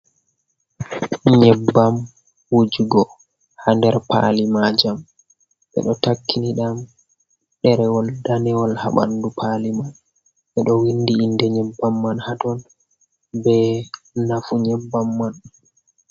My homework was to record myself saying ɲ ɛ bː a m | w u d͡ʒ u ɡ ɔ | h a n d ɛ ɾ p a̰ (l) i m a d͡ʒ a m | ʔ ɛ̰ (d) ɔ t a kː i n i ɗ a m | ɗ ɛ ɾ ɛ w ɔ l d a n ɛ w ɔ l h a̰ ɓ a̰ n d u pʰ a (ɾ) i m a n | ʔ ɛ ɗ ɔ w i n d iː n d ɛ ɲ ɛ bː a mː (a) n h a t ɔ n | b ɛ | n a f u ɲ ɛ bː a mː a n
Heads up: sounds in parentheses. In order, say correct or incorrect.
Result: correct, incorrect: ɗ, incorrect: l, correct

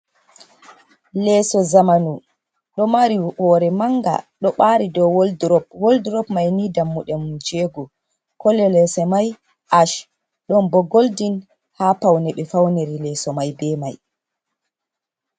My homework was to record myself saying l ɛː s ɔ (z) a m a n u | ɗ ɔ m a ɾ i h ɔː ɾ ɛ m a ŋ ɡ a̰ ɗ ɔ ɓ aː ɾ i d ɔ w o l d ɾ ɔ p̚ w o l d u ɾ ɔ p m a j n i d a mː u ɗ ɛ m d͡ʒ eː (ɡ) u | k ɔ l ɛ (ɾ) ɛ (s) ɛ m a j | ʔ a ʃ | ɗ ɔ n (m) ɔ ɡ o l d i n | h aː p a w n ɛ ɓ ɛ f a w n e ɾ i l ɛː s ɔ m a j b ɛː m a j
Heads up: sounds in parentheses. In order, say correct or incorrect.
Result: correct, correct, incorrect: l, correct, incorrect: b

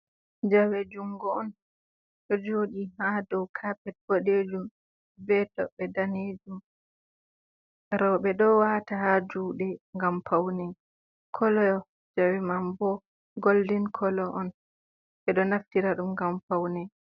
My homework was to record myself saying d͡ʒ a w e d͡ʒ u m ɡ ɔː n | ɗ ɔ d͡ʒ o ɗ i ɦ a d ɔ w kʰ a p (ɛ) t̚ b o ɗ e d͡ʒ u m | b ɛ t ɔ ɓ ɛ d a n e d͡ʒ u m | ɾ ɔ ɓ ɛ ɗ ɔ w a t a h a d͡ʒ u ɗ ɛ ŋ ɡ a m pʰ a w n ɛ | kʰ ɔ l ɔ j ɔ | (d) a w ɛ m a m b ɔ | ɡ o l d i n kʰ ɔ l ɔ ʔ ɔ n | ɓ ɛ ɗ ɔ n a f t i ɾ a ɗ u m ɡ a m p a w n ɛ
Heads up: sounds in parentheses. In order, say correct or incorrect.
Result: correct, incorrect: d͡ʒ

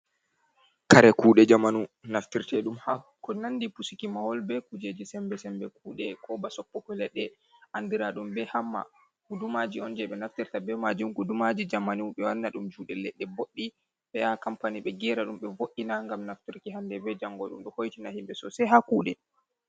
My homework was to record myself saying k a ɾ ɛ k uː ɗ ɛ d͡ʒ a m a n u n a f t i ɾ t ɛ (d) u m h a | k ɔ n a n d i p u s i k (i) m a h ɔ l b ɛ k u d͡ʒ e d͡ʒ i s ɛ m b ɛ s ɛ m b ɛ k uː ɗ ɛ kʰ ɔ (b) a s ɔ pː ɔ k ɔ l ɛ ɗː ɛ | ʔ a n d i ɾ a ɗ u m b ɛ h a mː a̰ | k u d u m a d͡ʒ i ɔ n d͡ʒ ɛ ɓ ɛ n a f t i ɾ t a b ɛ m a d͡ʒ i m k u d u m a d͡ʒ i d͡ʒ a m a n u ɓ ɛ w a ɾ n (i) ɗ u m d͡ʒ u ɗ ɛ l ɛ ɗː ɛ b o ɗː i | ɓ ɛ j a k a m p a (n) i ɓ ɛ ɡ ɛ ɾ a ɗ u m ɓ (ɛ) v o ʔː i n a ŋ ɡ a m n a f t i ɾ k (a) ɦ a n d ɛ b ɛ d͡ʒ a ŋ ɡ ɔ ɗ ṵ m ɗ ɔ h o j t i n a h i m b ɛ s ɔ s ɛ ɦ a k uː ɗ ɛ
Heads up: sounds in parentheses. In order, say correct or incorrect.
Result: incorrect: ɗ, correct, correct, incorrect: a, correct, correct, incorrect: i

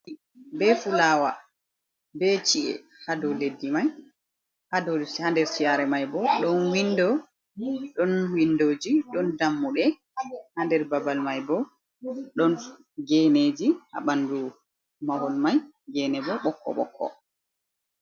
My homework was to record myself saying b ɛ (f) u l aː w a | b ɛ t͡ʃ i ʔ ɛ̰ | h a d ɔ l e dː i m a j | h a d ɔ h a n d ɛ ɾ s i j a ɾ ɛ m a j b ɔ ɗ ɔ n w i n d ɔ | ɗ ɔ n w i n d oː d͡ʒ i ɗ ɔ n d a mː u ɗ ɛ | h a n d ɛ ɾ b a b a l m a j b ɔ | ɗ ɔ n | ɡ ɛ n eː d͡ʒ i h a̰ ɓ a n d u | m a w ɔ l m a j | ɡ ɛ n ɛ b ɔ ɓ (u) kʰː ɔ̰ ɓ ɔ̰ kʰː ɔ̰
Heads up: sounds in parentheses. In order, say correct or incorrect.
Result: correct, incorrect: ɔ

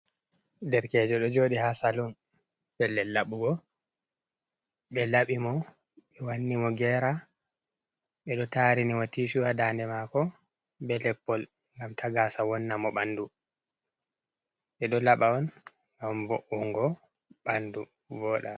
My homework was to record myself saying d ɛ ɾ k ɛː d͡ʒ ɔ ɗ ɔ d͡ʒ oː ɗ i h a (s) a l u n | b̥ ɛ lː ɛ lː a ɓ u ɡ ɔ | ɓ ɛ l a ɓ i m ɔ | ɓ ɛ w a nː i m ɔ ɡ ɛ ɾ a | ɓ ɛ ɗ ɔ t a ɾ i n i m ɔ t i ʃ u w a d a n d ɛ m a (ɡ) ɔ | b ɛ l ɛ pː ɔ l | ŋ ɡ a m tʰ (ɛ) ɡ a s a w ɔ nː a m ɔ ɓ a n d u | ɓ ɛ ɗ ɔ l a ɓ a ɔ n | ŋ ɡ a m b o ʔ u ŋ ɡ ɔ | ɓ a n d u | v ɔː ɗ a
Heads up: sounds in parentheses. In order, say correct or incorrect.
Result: correct, incorrect: k, incorrect: a

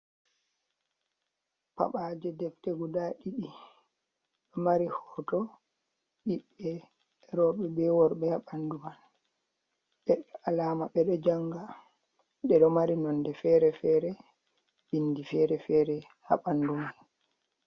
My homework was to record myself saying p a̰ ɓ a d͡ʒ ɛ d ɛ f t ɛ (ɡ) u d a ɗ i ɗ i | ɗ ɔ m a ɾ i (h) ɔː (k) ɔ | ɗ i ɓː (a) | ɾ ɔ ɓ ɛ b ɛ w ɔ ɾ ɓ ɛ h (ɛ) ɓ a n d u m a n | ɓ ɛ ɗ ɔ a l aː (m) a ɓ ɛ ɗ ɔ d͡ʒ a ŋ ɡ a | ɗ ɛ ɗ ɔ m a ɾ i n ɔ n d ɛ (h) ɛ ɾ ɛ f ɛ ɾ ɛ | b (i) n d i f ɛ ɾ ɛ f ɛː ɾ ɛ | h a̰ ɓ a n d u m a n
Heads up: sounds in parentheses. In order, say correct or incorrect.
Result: correct, correct, incorrect: t, incorrect: ɛ, incorrect: a, correct, incorrect: f, correct

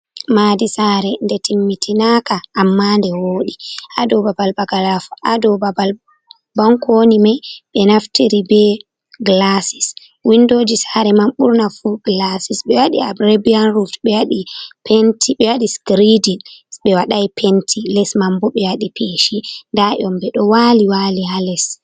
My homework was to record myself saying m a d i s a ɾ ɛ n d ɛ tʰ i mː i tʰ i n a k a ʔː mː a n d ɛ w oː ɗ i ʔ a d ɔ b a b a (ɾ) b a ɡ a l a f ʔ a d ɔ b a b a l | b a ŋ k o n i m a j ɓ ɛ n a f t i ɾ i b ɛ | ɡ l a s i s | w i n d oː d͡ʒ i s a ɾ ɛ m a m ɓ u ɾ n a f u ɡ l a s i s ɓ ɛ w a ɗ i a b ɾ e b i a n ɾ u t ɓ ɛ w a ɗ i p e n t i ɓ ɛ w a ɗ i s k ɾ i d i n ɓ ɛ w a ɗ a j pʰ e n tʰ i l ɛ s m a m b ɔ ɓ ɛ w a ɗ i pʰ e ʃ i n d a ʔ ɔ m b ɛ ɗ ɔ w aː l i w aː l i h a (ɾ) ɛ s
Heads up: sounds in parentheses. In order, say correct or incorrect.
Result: incorrect: l, incorrect: l

